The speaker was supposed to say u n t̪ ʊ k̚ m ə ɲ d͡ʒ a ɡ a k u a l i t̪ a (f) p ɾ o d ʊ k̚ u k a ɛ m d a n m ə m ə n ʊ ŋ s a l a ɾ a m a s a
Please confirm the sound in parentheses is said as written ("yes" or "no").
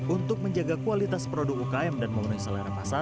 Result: no